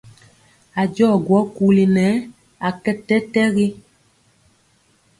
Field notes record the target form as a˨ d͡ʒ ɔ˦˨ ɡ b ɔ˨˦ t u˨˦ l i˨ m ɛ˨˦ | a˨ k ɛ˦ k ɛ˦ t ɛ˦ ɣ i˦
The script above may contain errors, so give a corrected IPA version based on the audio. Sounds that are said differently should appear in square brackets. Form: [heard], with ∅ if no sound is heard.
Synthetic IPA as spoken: a˨ d͡ʒ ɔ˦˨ ɡ [w] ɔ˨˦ [k] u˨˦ l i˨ [n] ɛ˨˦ | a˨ k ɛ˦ [t] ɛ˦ t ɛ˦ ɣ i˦